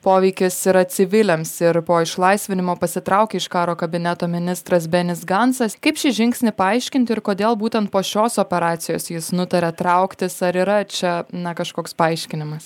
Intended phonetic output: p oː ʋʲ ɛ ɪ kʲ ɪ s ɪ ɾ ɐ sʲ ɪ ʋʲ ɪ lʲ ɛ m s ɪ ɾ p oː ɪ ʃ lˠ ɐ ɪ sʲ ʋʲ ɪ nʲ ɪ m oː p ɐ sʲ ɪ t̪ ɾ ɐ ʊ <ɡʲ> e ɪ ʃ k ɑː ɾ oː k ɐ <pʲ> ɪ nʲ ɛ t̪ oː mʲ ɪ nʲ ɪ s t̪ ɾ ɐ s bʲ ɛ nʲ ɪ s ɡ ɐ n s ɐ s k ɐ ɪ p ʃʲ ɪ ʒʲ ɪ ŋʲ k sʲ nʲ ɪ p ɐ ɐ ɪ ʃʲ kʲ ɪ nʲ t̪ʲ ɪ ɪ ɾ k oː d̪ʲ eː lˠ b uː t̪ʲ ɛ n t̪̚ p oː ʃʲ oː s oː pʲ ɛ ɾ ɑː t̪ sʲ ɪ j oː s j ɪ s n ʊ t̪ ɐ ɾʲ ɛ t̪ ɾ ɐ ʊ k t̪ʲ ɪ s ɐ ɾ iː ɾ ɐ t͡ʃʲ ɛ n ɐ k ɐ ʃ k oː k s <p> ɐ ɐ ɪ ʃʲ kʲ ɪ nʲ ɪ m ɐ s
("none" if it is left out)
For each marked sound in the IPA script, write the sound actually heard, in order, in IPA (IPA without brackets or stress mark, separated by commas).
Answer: kʲ, bʲ, p